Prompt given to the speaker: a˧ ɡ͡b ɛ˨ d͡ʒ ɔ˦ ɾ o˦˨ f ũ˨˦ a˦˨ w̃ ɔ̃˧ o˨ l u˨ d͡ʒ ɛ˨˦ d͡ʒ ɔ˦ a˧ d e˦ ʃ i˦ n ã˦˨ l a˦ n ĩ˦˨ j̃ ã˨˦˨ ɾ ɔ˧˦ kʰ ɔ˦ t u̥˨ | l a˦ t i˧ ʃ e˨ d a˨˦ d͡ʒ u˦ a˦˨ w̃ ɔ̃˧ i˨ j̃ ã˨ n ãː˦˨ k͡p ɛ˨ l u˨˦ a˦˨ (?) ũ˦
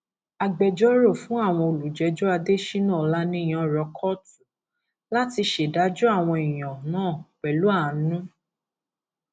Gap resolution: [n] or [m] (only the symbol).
n